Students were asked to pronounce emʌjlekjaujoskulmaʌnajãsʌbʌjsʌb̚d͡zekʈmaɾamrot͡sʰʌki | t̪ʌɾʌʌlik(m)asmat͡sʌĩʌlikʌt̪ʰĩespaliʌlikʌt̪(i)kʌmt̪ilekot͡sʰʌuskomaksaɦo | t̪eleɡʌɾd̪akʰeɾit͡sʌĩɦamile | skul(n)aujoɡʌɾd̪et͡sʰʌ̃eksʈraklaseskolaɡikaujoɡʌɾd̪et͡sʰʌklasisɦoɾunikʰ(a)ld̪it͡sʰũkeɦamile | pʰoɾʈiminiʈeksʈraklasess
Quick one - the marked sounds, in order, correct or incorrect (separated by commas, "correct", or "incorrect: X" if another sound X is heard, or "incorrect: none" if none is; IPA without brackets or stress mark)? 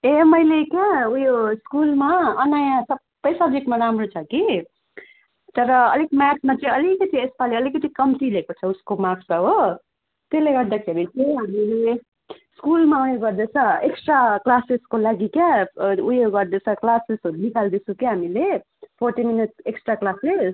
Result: correct, correct, incorrect: m, correct